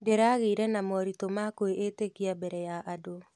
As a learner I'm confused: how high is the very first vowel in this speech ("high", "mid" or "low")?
mid